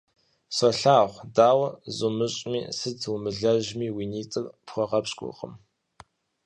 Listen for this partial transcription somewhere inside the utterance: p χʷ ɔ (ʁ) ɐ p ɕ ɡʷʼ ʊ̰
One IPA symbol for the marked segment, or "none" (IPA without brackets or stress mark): ʁ